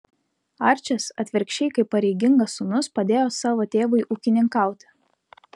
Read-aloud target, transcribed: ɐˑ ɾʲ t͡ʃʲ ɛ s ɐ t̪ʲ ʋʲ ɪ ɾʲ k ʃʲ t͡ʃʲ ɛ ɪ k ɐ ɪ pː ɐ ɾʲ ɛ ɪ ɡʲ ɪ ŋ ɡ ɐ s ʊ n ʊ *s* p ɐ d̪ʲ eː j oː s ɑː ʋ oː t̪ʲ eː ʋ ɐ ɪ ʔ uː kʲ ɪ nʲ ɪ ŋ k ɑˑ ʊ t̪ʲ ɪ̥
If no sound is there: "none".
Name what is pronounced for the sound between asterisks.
s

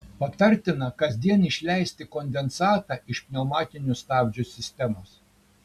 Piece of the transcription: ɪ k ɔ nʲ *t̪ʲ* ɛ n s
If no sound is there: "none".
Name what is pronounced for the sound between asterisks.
d̪ʲ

